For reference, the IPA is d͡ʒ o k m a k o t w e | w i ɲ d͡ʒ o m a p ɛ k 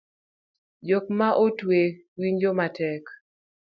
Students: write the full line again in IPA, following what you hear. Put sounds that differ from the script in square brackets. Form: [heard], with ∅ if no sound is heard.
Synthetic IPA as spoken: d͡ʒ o k m a [ʔ] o t w e | w i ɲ d͡ʒ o m a [t] ɛ k